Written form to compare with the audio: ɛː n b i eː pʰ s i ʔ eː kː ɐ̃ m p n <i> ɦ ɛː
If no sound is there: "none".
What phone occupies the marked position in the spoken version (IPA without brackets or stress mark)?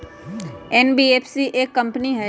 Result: i